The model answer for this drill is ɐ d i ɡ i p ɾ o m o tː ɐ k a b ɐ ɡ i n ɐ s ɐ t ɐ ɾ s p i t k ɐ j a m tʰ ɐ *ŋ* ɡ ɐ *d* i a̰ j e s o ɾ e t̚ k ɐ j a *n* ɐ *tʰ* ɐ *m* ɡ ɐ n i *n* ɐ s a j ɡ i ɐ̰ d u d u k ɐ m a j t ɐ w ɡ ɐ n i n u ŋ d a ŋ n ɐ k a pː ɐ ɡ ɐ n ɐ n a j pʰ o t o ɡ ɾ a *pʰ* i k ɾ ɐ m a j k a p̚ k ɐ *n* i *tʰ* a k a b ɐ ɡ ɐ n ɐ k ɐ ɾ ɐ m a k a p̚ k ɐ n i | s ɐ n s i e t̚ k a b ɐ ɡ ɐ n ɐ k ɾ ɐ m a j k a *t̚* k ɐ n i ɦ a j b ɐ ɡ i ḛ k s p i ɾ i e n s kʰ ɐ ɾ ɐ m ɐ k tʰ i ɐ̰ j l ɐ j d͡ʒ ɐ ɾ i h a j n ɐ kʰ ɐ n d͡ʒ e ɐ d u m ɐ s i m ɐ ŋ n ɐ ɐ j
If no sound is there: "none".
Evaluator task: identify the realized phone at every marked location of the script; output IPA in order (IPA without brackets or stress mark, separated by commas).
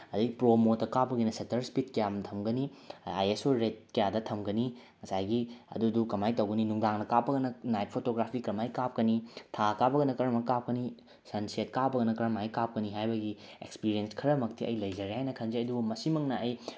m, n, d, tʰ, m, ŋ, pʰ, n, tʰ, p̚